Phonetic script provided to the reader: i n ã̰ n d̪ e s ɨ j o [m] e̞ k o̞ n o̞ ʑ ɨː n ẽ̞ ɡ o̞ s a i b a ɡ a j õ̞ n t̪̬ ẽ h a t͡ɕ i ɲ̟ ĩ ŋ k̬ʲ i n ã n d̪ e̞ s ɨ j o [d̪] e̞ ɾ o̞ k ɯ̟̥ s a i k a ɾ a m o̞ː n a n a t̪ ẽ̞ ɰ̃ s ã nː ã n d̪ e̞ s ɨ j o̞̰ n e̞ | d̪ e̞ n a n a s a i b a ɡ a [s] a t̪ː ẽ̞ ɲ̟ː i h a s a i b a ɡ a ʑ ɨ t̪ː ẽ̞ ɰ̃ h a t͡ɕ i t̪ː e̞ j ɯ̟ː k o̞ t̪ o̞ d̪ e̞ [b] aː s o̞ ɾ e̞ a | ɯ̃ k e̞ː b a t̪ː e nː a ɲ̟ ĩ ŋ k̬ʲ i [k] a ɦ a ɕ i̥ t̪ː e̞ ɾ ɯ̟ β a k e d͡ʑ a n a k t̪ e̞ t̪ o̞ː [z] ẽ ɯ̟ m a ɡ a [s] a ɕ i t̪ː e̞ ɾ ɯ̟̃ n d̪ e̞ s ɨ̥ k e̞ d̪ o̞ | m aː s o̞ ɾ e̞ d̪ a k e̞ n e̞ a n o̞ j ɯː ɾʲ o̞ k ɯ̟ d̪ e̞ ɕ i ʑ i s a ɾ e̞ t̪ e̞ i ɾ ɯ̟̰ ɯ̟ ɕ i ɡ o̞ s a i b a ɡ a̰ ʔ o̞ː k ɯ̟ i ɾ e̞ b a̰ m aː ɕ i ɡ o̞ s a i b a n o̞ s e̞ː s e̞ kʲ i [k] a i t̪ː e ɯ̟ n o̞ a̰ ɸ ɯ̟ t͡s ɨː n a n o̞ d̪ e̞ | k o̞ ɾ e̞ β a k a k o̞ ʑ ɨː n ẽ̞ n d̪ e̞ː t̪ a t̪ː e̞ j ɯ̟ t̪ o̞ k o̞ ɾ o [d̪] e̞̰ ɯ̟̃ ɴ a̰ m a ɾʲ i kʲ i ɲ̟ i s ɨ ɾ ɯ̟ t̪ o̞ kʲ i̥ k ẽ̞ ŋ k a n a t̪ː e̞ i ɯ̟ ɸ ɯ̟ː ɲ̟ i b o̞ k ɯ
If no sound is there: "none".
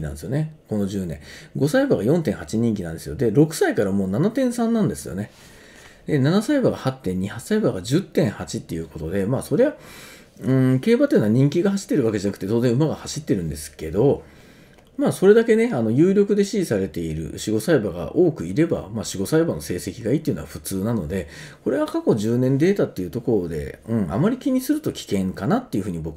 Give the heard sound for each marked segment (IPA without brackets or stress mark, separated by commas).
n, d̪, h, m, ɡ, z, h, ɡ, d̪